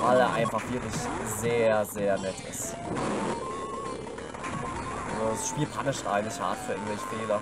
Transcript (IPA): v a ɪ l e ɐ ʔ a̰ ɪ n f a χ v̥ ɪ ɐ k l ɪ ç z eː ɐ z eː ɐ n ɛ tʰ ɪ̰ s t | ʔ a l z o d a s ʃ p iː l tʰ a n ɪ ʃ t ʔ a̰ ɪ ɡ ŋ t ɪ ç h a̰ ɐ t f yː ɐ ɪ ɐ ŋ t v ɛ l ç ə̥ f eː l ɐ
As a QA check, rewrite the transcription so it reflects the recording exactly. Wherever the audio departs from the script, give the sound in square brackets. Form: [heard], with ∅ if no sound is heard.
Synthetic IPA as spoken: v a ɪ l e ɐ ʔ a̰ ɪ n f a χ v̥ ɪ ɐ k l ɪ ç z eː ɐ z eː ɐ n ɛ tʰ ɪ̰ s t | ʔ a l z o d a s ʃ p iː l [pʰ] a n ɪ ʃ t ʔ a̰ ɪ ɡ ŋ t ɪ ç h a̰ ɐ t f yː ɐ ɪ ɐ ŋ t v ɛ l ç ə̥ f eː l ɐ